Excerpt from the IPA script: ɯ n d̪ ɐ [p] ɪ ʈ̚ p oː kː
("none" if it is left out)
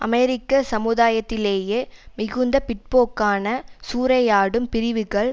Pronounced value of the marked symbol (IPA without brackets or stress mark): p